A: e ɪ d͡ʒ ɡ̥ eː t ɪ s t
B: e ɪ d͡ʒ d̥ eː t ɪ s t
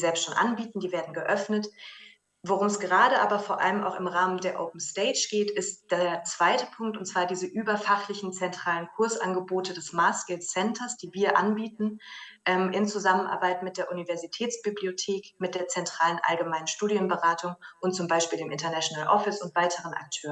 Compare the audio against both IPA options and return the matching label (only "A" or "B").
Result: A